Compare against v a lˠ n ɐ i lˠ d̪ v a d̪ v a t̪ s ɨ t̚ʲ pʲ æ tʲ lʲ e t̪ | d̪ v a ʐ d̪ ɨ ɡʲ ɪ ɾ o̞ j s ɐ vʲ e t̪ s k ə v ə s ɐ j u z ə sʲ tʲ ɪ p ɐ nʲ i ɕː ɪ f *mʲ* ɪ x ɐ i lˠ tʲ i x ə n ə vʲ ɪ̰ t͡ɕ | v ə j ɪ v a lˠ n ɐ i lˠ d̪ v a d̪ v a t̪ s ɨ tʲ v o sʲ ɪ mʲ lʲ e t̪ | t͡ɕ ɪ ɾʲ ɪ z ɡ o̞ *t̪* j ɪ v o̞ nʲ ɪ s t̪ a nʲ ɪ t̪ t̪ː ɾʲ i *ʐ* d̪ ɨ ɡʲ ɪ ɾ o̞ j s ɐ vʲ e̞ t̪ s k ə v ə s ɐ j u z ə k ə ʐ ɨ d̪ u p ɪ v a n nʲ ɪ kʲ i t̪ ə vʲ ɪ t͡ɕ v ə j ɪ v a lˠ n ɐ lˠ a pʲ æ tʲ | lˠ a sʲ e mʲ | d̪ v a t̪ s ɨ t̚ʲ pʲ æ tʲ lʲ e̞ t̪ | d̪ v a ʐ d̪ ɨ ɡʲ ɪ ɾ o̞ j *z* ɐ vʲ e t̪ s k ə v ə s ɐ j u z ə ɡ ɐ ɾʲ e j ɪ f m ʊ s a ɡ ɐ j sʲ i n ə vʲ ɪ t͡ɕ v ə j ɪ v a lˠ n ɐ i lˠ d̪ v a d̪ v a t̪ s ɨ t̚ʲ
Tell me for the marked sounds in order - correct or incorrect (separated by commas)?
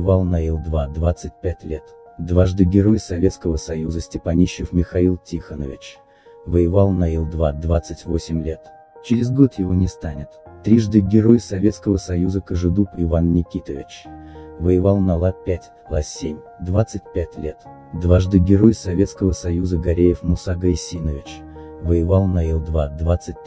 correct, correct, correct, incorrect